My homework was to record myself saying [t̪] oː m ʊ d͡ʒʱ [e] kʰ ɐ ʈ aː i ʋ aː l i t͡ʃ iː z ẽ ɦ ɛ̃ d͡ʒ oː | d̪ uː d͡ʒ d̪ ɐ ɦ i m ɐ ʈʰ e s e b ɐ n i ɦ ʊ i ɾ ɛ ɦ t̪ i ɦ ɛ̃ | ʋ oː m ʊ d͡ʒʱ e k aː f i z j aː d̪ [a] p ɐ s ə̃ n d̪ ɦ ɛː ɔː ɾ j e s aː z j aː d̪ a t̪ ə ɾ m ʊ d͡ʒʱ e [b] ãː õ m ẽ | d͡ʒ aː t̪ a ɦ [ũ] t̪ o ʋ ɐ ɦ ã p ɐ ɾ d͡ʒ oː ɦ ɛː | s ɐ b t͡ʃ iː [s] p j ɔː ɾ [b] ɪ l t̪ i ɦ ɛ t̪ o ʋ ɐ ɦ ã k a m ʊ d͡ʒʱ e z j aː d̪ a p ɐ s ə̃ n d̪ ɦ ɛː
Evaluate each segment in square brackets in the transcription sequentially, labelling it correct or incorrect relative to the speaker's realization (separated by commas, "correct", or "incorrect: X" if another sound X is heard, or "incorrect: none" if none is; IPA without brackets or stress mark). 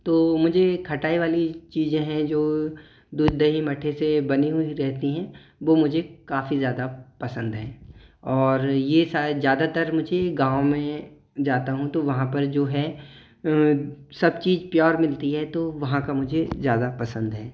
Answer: correct, correct, correct, incorrect: ɡ, correct, incorrect: z, incorrect: m